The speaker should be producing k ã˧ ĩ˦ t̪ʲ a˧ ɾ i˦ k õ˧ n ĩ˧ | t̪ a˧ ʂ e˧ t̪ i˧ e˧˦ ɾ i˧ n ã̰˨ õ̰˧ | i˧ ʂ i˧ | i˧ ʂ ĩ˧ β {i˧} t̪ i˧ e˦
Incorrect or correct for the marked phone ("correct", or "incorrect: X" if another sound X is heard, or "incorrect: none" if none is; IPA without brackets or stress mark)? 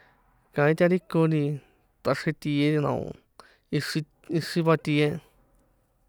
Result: incorrect: a˧